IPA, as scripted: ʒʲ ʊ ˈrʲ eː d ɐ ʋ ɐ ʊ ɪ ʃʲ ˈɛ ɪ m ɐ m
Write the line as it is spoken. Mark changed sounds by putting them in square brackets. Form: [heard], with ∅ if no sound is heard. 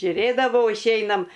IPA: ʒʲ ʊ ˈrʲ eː d ɐ ʋ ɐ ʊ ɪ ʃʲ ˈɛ ɪ [n] ɐ m

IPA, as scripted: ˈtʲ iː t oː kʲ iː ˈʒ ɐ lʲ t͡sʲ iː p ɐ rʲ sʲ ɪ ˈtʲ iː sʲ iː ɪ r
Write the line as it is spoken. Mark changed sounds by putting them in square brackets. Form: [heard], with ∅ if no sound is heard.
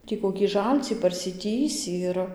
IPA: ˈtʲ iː [k] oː kʲ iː ˈʒ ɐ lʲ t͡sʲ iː p ɐ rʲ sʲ ɪ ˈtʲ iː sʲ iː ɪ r

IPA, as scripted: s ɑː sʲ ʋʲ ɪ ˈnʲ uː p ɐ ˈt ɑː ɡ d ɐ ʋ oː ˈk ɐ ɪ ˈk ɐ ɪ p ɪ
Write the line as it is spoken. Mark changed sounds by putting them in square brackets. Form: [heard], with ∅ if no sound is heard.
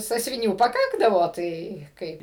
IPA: s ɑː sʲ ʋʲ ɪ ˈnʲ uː p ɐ [ˈk] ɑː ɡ d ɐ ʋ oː [ˈt] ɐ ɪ ˈk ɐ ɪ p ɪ

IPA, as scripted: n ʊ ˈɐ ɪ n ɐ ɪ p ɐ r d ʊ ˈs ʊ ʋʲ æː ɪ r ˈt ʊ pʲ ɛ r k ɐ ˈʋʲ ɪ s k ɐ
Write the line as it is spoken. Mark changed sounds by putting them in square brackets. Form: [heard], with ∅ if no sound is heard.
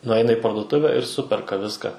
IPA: n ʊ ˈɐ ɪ n ɐ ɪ p ɐ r d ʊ [ˈt] ʊ ʋʲ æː ɪ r [ˈs] ʊ pʲ ɛ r k ɐ ˈʋʲ ɪ s k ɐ

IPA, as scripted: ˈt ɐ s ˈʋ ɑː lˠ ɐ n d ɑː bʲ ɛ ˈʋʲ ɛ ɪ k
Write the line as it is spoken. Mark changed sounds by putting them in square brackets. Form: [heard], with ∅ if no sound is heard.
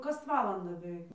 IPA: [ˈk] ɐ s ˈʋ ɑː lˠ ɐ n d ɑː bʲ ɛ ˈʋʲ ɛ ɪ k

